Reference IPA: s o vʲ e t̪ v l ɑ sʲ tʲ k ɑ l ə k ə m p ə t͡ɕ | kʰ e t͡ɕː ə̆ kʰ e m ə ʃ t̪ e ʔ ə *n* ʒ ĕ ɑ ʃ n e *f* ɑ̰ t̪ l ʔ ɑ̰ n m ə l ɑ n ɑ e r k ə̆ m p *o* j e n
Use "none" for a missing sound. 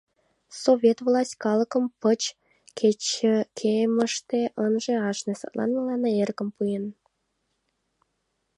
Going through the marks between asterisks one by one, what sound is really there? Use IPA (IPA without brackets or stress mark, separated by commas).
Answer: n, s, u